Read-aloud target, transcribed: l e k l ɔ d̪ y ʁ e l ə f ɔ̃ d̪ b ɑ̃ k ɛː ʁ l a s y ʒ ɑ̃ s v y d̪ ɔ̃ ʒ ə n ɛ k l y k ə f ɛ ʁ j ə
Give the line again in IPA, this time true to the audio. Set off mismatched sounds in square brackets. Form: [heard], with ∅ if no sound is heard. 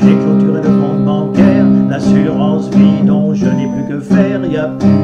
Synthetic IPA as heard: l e k l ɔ [t̪] y ʁ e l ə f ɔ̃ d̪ b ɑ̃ k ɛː ʁ l a s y [ʁ] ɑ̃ s v [i] d̪ ɔ̃ ʒ ə n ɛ [p] l y k ə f ɛ ʁ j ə

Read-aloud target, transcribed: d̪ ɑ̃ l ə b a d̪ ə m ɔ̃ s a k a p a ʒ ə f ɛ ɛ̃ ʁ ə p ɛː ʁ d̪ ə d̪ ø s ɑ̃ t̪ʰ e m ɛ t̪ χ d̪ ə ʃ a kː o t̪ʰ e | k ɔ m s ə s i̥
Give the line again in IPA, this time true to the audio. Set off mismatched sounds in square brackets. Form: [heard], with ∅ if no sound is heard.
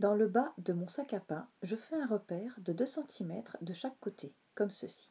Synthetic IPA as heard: d̪ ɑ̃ l ə b a d̪ ə m ɔ̃ s a k a p a ʒ ə f ɛ ɛ̃ ʁ ə p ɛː ʁ d̪ ə d̪ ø s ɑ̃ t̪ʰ [i] m ɛ t̪ χ d̪ ə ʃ a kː o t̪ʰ e | k ɔ m s ə s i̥

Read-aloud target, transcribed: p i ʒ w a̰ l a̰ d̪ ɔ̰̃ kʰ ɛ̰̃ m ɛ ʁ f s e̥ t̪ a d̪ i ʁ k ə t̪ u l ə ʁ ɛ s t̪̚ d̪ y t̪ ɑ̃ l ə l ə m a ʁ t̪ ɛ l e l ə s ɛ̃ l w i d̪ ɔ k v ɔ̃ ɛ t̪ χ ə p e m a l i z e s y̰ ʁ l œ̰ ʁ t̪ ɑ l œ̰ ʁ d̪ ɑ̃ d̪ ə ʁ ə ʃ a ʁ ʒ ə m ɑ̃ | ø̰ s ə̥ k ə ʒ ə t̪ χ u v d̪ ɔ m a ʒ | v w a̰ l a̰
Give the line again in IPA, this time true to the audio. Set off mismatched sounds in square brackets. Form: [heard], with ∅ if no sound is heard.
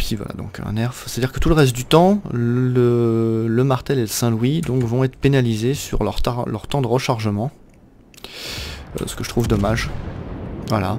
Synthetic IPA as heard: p i [v] w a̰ l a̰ d̪ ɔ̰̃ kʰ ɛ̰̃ [n] ɛ ʁ f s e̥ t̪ a d̪ i ʁ k ə t̪ u l ə ʁ ɛ s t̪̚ d̪ y t̪ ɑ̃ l ə l ə m a ʁ t̪ ɛ l e l ə s ɛ̃ l w i d̪ [ɔ̃] k v ɔ̃ ɛ t̪ χ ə p e [n] a l i z e s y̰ ʁ l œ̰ ʁ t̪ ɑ l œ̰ ʁ [t̪] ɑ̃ d̪ ə ʁ ə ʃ a ʁ ʒ ə m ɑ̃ | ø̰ s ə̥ k ə ʒ ə t̪ χ u v d̪ ɔ m a ʒ | v w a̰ l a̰

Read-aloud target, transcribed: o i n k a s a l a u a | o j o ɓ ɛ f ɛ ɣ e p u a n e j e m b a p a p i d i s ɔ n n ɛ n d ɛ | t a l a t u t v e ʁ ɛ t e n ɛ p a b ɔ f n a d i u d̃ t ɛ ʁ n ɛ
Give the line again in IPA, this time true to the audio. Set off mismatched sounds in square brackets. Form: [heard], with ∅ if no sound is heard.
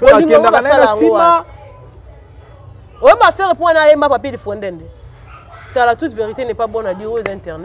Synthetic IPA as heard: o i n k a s a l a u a | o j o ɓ [a] f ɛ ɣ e p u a n [a] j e m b a p a p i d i [f] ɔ n [d] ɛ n d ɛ | t a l a t u t v e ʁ [i] t e n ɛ p a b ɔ [∅] n a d i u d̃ t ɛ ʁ n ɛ

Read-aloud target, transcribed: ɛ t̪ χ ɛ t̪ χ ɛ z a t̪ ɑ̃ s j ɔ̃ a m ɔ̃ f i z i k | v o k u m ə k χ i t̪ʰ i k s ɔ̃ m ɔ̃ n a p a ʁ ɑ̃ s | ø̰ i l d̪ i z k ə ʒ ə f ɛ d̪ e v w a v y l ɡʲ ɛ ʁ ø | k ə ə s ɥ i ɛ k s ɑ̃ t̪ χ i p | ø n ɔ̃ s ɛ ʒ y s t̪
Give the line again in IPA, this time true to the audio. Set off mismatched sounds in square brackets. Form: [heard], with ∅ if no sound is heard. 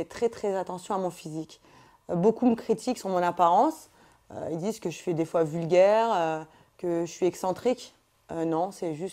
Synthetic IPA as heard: ɛ t̪ χ ɛ t̪ χ ɛ z a t̪ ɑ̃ s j ɔ̃ a m ɔ̃ f i z i k | [b] o k u m ə k χ i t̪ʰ i k s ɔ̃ m ɔ̃ n a p a ʁ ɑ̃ s | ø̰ i l d̪ i z k ə ʒ ə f ɛ d̪ e [f] w a v y l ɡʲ ɛ ʁ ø | k ə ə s ɥ i ɛ k s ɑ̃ t̪ χ i [k] | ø n ɔ̃ s ɛ ʒ y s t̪

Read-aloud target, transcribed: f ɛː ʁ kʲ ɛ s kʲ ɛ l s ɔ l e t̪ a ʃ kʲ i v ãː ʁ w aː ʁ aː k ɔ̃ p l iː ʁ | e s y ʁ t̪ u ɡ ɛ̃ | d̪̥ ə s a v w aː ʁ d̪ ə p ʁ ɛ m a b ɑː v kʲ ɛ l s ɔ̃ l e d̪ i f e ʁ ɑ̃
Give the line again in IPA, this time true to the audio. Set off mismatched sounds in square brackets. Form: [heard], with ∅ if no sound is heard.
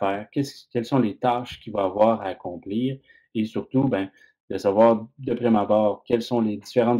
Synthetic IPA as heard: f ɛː ʁ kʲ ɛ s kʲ ɛ l s [ɔ̃] l e t̪ a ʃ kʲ i v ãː [v] w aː ʁ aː k ɔ̃ p l iː ʁ | e s y ʁ t̪ u [b] ɛ̃ | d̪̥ ə s a v w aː ʁ d̪ ə p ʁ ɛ m a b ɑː [ʁ] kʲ ɛ l s ɔ̃ l e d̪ i f e ʁ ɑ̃

